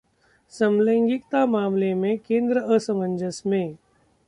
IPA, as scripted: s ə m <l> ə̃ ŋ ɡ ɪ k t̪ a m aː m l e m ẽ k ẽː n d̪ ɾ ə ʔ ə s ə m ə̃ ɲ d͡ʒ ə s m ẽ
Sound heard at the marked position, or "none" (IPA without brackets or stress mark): l